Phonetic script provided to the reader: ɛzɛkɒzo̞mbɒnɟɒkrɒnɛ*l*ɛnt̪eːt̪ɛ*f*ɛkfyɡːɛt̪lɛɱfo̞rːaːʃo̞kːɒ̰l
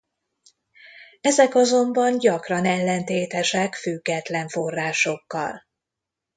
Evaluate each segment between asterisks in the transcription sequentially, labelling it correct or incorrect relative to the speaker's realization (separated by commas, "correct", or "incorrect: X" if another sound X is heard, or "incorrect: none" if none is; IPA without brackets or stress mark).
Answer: incorrect: lː, incorrect: ʃ